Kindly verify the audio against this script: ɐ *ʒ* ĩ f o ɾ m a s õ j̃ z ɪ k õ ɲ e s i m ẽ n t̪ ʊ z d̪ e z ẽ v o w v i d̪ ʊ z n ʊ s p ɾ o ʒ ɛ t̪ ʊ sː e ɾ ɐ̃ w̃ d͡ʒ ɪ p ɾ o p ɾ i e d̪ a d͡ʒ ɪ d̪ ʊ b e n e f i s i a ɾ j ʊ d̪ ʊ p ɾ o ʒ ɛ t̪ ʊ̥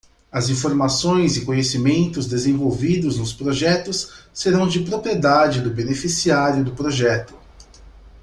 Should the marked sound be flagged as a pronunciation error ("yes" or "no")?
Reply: yes